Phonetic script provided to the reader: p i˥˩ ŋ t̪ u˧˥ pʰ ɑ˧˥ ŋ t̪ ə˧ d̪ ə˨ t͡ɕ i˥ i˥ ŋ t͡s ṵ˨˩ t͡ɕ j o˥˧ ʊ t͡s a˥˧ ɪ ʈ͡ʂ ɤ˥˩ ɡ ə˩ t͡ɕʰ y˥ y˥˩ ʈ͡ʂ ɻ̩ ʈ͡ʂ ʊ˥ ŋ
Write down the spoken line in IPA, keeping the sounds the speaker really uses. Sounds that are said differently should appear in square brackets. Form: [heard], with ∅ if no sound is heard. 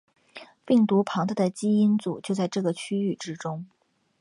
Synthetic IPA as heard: p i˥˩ ŋ t̪ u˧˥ pʰ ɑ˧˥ ŋ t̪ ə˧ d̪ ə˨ t͡ɕ i˥ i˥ [n] t͡s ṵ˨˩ t͡ɕ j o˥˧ ʊ t͡s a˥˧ ɪ ʈ͡ʂ ɤ˥˩ ɡ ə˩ t͡ɕʰ y˥ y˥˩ ʈ͡ʂ ɻ̩ ʈ͡ʂ ʊ˥ ŋ